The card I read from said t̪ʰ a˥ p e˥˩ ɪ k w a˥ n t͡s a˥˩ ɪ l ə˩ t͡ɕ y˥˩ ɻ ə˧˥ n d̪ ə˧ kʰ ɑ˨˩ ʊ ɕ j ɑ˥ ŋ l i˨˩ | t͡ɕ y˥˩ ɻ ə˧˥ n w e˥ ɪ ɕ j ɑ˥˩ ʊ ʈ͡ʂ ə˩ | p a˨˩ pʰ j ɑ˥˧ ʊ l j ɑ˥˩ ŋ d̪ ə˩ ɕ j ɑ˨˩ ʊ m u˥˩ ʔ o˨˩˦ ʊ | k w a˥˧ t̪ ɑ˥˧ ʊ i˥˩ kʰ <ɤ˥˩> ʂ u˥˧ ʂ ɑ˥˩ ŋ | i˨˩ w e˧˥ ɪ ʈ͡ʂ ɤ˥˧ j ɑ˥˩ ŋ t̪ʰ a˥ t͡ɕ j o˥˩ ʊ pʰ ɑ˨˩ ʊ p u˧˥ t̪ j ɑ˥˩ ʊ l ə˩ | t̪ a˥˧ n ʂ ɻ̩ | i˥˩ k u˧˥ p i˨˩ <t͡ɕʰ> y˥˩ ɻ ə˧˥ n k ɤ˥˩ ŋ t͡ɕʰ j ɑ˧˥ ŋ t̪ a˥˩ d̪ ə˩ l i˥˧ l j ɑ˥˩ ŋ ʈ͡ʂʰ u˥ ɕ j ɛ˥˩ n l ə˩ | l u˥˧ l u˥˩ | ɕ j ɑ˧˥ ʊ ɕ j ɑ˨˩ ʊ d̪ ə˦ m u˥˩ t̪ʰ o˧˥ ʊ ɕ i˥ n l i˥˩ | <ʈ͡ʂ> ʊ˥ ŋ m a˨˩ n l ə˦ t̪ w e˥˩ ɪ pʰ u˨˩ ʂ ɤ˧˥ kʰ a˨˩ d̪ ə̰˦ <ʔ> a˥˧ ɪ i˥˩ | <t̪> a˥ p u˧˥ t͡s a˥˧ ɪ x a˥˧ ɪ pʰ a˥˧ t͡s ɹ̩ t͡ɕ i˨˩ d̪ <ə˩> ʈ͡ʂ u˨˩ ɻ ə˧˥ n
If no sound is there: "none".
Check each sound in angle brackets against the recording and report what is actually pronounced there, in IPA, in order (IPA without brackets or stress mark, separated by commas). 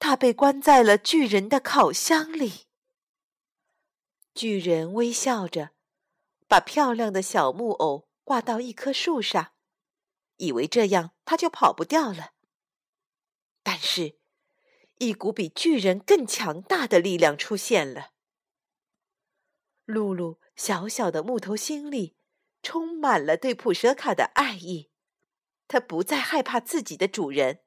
ɤ˥, t͡ɕ, ʈ͡ʂʰ, ʔ, t̪ʰ, ə˦